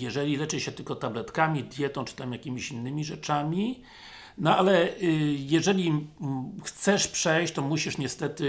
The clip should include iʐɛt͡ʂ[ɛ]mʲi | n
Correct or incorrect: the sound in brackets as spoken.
incorrect: a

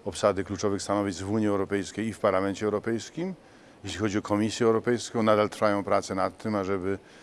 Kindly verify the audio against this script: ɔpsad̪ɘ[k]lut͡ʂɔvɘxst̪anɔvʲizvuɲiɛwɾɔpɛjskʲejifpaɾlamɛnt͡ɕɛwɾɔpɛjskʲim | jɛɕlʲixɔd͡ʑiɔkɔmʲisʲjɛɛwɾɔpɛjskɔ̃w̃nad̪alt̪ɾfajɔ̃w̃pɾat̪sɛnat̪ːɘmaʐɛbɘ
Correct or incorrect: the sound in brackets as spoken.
correct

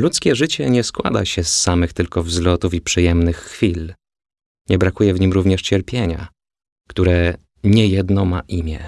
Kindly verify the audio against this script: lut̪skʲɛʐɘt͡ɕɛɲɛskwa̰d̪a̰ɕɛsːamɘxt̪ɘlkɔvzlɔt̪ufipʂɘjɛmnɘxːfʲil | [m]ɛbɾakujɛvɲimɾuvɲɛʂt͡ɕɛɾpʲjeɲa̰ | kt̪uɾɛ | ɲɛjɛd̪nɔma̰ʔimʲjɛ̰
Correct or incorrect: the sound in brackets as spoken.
incorrect: ɲ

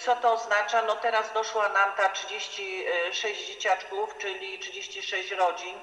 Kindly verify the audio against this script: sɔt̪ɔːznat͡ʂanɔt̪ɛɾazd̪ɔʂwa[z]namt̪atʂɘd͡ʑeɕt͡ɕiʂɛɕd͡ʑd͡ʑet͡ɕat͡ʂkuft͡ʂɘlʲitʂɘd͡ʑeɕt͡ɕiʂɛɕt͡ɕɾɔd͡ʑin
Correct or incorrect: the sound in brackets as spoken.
incorrect: none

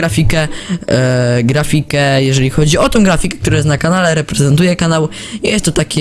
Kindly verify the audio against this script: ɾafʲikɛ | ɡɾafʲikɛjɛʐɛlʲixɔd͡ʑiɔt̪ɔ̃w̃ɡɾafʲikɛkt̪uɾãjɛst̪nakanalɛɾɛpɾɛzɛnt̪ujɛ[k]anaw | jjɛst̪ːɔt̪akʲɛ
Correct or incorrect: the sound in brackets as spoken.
correct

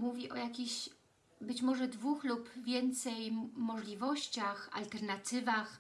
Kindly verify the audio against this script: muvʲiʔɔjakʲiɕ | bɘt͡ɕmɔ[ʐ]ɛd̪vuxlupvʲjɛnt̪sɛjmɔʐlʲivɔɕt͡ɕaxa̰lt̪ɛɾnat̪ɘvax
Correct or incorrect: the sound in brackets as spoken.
correct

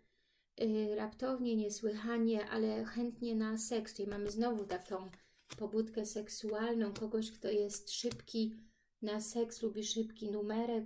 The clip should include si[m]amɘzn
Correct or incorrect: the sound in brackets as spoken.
correct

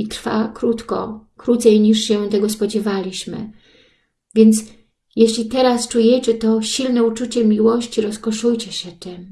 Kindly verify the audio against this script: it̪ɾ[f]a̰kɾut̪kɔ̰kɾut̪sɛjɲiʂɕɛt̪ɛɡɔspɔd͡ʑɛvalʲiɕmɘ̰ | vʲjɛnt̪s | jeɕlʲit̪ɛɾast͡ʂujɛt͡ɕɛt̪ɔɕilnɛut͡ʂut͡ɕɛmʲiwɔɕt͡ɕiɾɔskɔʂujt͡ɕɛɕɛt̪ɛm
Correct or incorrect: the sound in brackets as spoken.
correct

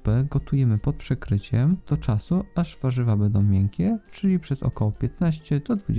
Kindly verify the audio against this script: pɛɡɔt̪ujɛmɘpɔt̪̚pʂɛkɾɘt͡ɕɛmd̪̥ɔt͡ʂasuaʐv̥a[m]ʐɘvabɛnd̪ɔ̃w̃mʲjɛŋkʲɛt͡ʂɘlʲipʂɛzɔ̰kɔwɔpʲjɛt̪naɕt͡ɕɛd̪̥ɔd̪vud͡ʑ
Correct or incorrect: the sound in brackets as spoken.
incorrect: none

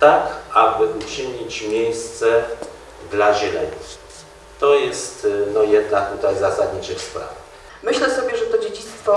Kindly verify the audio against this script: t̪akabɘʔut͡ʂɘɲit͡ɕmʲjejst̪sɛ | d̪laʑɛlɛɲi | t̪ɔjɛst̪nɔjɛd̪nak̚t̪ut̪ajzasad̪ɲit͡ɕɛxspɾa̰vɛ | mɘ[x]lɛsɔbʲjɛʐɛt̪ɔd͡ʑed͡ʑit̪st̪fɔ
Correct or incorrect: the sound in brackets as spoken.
incorrect: ɕ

